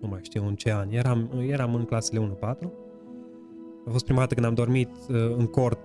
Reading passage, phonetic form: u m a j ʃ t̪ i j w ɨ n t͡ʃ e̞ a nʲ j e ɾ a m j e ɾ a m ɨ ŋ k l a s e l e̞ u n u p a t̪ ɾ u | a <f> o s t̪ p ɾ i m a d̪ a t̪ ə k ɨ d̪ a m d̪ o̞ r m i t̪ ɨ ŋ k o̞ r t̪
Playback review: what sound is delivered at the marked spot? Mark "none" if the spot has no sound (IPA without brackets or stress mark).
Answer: f